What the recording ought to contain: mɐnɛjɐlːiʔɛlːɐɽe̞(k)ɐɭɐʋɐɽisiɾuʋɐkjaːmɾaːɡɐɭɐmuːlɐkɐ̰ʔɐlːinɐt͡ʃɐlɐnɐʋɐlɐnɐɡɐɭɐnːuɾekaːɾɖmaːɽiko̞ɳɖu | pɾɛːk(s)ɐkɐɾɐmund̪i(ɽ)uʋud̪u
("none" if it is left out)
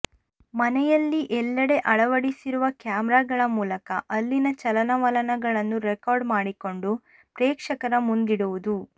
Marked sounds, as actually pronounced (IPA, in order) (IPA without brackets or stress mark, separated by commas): ʔ, ʂ, ɽ